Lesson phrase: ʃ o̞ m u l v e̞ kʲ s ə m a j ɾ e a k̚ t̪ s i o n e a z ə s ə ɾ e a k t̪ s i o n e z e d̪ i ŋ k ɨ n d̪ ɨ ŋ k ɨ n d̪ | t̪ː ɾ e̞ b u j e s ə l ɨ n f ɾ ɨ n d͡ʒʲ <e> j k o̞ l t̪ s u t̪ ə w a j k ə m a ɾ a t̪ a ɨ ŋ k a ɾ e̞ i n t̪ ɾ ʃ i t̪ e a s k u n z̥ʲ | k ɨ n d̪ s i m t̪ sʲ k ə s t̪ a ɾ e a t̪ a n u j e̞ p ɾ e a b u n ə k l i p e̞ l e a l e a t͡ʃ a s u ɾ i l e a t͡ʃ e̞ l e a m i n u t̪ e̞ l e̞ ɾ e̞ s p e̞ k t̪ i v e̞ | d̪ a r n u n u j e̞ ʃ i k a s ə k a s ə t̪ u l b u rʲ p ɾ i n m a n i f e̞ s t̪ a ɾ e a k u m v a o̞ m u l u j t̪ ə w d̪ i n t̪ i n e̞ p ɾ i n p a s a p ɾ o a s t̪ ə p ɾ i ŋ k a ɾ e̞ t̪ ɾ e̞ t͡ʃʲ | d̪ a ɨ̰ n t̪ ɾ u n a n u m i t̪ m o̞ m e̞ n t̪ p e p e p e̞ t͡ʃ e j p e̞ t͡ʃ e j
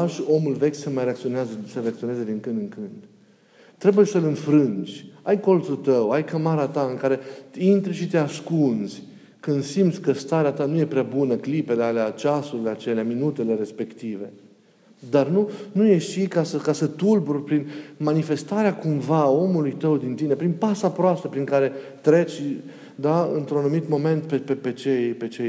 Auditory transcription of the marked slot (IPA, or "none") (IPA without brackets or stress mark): a